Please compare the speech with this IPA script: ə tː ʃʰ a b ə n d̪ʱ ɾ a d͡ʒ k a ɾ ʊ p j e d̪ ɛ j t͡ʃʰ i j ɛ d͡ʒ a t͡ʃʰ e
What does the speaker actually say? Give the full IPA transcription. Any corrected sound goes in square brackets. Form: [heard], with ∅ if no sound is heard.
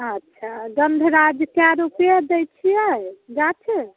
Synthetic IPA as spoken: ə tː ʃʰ a [ɡ] ə n d̪ʱ ɾ a d͡ʒ k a ɾ [u] p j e d̪ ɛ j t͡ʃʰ i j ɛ d͡ʒ a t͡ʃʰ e